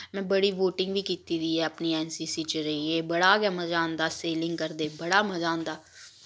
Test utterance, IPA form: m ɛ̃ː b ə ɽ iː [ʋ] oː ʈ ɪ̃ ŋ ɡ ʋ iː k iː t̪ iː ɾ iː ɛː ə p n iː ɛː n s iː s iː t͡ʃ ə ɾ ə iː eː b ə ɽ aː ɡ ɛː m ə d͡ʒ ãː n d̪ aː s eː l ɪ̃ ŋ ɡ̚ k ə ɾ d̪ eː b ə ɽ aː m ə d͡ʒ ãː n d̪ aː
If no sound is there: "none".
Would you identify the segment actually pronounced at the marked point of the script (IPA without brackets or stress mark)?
ʋ